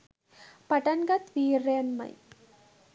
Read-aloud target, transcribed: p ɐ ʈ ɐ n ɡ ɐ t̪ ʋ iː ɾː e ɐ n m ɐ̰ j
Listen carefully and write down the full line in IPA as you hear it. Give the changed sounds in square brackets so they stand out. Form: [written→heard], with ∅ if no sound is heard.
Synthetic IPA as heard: p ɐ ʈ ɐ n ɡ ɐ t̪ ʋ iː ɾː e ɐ n m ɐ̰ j